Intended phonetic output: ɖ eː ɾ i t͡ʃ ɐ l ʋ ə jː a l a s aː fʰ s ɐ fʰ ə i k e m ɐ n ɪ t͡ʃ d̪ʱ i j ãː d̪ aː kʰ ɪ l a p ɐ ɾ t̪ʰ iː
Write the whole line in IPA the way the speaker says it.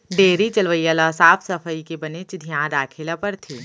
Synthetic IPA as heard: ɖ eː ɾ i t͡ʃ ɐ l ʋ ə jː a l a s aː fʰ s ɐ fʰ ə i k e b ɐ n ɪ t͡ʃ d̪ʱ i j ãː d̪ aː kʰ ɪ l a p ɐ ɾ t̪ʰ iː